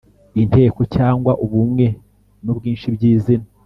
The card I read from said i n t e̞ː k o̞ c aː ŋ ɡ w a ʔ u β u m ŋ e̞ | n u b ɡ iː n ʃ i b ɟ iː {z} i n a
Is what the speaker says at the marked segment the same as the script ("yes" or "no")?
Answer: yes